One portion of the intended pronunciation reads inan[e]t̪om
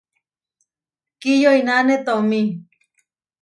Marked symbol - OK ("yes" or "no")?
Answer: yes